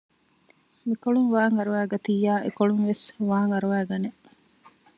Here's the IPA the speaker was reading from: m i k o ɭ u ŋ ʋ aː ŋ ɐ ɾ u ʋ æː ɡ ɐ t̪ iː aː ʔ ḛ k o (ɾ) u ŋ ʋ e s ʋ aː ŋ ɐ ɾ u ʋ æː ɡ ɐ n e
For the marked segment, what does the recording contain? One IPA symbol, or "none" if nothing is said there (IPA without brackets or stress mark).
ɭ